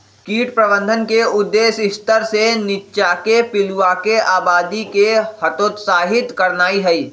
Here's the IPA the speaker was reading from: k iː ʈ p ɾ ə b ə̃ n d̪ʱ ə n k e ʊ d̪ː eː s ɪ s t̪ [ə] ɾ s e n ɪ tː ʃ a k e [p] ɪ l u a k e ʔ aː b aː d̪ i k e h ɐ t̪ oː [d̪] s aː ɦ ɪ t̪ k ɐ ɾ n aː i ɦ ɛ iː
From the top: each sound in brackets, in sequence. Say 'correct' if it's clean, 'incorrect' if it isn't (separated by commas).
correct, correct, incorrect